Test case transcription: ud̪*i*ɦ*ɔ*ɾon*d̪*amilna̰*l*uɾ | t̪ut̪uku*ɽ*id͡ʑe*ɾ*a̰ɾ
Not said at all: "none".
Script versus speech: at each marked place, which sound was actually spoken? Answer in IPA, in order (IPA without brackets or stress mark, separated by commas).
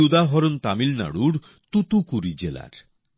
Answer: a, ɔ, t̪, ɽ, ɾ, l